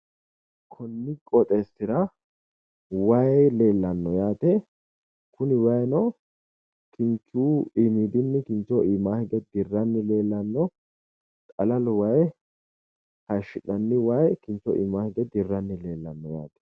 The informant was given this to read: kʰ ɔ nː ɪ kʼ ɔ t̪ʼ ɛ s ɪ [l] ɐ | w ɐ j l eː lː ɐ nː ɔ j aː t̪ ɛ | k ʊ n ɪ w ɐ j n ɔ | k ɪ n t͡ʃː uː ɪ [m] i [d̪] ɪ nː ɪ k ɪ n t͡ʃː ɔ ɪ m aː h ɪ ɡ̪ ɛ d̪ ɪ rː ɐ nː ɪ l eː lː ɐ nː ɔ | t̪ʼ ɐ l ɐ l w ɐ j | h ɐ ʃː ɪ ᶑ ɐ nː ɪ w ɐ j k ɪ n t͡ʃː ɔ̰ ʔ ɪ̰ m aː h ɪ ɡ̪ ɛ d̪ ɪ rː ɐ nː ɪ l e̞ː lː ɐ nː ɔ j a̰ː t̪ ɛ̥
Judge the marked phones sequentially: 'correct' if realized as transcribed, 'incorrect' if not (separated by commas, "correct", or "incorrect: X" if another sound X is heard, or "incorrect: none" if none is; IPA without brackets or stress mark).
incorrect: ɾ, correct, correct